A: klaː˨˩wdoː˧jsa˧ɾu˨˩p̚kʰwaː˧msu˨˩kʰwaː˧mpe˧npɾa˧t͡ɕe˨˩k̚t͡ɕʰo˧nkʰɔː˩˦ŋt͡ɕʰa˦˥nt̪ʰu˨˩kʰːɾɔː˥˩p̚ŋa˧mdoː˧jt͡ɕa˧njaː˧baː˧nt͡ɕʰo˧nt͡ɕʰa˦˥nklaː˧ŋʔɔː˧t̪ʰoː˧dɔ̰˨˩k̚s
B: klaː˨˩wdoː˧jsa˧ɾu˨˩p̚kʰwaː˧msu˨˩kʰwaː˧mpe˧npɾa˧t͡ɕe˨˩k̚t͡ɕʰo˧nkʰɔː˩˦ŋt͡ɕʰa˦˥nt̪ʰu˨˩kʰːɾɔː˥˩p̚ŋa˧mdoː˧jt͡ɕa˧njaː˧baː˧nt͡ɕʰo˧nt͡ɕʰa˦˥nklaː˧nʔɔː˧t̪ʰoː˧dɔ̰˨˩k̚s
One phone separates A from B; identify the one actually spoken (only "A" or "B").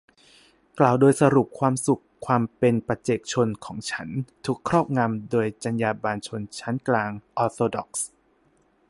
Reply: A